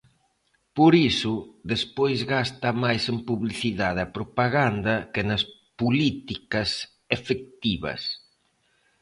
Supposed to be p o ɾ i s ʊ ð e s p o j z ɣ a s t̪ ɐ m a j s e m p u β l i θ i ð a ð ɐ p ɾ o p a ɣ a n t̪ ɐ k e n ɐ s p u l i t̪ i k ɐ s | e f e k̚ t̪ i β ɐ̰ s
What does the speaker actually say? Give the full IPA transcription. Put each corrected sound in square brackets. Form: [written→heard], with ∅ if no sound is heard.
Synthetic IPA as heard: p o ɾ i s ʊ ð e s p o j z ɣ a s t̪ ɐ m a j s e m p u β l i θ i ð a ð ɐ p ɾ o p a ɣ a n [t̪→d̪] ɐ k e n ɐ s p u l i t̪ i k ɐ s | e f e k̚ t̪ i β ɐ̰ s